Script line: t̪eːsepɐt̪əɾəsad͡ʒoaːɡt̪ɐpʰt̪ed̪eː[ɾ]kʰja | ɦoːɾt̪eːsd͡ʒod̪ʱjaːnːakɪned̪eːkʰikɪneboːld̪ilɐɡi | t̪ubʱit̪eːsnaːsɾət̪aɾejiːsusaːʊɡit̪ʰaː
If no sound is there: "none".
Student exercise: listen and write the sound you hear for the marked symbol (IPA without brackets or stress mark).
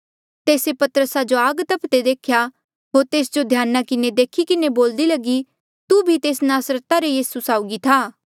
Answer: none